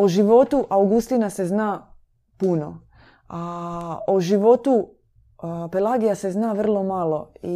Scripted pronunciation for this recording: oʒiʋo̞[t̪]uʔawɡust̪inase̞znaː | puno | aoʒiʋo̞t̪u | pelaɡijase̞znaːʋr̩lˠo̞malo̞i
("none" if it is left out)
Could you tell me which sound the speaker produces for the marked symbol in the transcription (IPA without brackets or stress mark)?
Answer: t̪